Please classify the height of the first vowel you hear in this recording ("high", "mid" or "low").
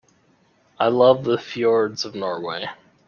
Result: low